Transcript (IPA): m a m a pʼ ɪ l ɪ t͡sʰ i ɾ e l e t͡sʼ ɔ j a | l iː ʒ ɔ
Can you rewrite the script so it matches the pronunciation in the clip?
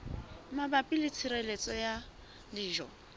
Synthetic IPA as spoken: m a b a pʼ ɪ l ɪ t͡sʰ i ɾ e l e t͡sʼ ɔ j a | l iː ʒ ɔ